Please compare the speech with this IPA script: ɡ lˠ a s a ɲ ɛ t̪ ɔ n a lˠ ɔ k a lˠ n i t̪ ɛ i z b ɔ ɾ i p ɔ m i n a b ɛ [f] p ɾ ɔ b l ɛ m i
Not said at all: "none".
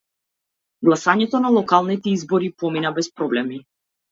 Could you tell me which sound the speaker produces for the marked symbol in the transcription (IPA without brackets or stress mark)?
s